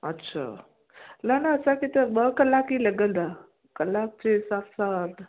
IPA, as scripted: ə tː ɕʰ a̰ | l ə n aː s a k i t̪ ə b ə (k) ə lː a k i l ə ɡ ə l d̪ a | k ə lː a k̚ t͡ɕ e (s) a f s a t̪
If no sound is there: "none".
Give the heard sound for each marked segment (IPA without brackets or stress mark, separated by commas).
k, s